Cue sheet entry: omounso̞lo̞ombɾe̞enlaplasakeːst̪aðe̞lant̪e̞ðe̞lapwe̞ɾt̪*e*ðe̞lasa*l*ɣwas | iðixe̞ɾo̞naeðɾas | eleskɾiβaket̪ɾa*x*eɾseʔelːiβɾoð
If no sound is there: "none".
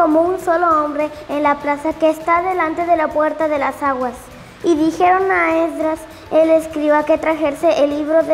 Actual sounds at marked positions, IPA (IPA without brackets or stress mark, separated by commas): a, none, x